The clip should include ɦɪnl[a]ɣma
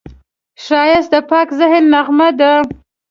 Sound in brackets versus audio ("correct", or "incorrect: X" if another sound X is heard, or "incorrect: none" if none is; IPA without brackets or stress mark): correct